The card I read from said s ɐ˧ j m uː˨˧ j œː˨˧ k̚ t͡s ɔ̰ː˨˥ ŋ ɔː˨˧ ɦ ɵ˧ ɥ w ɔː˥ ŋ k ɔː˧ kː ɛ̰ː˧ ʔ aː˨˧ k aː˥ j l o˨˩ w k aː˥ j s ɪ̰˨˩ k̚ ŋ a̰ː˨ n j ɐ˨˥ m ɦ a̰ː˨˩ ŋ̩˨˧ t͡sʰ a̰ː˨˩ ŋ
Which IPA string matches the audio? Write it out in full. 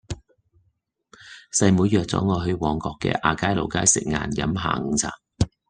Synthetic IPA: s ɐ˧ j m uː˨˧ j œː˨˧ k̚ t͡s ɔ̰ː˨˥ ŋ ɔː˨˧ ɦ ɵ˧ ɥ w ɔː˨˧ ŋ k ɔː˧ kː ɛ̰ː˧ ʔ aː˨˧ k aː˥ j l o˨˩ w k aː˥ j s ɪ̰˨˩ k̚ ŋ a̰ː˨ n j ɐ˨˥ m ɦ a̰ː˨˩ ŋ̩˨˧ t͡sʰ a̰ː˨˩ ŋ